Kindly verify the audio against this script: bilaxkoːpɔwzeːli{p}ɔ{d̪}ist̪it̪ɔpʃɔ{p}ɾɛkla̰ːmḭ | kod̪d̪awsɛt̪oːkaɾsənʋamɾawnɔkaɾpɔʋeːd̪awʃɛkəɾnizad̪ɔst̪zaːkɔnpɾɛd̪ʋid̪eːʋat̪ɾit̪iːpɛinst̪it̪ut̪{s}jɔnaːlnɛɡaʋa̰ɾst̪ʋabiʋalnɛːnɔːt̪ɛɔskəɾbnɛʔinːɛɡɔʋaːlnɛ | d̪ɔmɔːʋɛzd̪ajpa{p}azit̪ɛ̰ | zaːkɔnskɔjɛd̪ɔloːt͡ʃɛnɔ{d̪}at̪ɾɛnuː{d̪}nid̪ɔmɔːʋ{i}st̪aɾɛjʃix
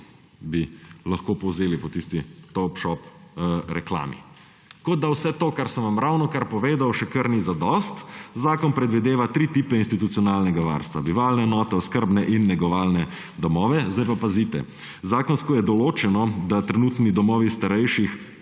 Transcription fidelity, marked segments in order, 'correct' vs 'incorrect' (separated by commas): correct, incorrect, correct, correct, correct, correct, incorrect, correct